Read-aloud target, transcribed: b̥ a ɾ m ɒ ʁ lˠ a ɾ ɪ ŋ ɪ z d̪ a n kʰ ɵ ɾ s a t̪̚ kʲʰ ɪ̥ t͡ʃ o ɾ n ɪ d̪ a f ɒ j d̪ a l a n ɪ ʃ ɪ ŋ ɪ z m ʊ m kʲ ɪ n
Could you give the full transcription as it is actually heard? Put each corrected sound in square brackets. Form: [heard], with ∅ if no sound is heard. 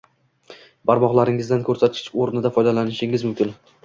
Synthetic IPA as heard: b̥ a ɾ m ɒ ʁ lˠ a ɾ ɪ ŋ ɪ z d̪ a n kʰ ɵ ɾ s a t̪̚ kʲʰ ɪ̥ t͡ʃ o ɾ n ɪ d̪ a f ɒ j d̪ a l a n ɪ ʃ ɪ ŋ ɪ z m ʊ m kʲ ɪ n